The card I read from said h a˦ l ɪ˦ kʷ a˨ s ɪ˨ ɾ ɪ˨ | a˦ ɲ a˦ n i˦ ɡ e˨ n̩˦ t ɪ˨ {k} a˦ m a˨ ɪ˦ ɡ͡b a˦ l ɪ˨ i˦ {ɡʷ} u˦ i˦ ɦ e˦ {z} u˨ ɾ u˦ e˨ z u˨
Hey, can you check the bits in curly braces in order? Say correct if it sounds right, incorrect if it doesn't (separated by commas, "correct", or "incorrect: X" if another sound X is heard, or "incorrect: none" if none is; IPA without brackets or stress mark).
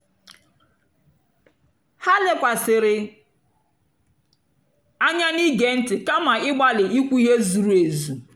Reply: correct, incorrect: kʷ, correct